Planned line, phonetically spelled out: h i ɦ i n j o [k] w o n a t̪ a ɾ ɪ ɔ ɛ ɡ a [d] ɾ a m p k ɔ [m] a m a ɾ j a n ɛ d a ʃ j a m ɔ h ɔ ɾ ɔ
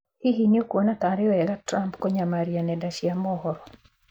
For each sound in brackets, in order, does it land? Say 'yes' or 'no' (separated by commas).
yes, no, no